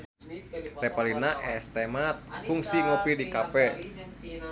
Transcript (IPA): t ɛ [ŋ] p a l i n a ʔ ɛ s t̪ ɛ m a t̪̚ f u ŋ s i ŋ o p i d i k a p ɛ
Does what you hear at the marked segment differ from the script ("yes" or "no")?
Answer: yes